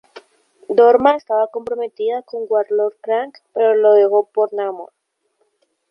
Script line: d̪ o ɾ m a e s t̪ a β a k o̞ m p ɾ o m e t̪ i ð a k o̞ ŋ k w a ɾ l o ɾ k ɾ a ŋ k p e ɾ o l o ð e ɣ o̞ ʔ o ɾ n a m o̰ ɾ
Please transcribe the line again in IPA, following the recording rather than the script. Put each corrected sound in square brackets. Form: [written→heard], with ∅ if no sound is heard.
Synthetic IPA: d̪ o ɾ m a e s t̪ a β a k o̞ m p ɾ o m e t̪ i ð a k o̞ ŋ [k→ɡ] w a ɾ l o ɾ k ɾ a ŋ k p e ɾ o l o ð e ɣ o̞ [ʔ→p] o ɾ n a m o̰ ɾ